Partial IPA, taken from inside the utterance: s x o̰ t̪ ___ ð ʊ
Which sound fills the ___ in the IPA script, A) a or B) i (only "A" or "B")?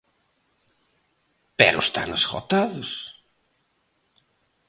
A